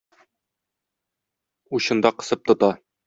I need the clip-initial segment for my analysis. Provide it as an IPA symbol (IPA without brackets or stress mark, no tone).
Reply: u